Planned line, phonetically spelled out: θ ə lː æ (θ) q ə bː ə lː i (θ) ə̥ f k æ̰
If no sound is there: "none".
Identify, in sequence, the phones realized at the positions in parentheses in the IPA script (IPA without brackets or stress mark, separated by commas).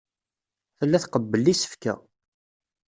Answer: θ, s